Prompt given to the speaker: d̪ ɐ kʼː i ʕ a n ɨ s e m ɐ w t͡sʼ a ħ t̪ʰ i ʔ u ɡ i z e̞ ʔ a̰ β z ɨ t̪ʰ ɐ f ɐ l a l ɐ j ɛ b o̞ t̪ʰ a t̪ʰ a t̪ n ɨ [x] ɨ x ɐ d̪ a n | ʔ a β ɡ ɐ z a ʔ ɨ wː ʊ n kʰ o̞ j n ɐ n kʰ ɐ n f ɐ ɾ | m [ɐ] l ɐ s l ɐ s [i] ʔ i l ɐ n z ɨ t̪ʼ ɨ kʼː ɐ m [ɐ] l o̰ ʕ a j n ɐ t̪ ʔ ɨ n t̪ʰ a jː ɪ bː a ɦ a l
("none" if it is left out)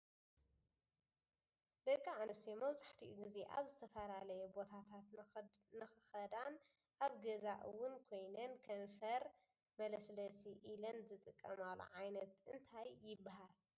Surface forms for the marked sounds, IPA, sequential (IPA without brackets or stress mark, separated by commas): x, ɐ, i, a